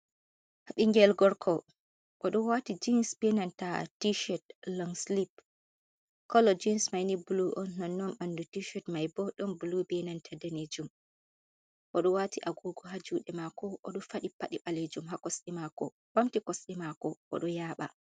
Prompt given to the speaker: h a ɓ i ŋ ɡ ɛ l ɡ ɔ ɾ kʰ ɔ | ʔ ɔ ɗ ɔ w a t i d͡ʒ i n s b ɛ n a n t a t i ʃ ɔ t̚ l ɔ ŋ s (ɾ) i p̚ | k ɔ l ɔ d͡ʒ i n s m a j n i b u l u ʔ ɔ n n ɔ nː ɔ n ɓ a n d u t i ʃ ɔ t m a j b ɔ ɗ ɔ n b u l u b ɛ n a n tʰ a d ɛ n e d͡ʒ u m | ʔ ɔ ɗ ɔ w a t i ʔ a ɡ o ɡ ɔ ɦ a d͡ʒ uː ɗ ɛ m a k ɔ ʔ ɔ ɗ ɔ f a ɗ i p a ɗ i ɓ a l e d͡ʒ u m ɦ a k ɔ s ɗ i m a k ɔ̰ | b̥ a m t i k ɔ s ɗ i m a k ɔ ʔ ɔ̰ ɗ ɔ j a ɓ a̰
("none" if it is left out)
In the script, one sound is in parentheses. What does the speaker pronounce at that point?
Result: l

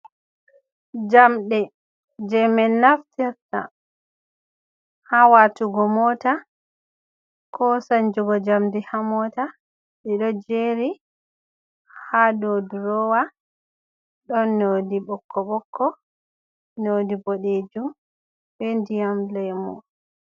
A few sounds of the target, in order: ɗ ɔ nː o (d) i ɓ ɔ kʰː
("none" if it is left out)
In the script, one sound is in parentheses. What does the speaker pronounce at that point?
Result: d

